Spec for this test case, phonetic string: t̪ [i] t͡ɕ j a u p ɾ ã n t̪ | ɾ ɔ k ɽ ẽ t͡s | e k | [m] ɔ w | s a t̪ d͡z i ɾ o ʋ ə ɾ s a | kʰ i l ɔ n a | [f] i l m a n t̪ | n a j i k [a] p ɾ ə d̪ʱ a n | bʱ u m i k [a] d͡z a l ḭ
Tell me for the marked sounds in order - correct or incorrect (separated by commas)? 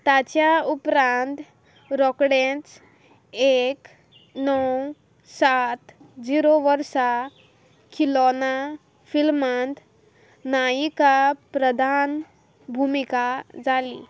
incorrect, incorrect, correct, correct, correct